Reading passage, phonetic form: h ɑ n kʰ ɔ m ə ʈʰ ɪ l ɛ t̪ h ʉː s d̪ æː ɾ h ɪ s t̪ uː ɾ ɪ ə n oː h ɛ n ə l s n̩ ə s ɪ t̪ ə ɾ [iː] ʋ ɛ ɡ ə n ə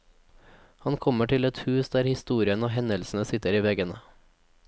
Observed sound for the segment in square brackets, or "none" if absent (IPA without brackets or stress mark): iː